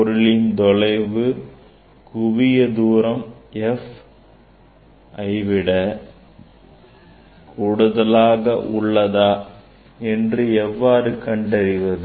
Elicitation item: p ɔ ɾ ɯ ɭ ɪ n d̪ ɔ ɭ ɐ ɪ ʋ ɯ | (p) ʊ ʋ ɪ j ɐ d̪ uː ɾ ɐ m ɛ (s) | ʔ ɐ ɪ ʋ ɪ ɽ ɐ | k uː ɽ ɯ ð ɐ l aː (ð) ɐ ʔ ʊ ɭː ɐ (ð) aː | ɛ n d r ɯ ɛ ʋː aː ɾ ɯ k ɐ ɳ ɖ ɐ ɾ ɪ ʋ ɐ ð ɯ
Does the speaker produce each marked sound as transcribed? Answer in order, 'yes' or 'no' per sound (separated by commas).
no, no, no, yes